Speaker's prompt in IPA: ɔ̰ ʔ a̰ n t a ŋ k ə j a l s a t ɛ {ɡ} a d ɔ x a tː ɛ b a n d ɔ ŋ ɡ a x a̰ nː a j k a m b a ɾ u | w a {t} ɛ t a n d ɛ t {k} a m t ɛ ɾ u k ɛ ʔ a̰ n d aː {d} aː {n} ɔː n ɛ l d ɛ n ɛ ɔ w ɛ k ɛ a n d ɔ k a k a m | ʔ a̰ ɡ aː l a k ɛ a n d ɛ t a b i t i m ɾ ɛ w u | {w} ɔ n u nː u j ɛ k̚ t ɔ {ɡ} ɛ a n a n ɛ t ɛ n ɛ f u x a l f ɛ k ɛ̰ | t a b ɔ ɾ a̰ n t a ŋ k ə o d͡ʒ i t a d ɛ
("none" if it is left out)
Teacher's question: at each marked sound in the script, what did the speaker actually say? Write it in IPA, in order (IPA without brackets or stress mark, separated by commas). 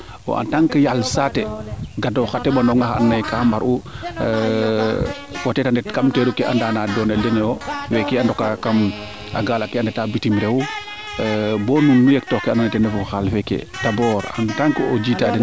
ɡ, t, k, n, d, b, k